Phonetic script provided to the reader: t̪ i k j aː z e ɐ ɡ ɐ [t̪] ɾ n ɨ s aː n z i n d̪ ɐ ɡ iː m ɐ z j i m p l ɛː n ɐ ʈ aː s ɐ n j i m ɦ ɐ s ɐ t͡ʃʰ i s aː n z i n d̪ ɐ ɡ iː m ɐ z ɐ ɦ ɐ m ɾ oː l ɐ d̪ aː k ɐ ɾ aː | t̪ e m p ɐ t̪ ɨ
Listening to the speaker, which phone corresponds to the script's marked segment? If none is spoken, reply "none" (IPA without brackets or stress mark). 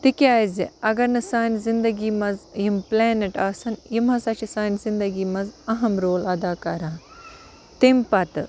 none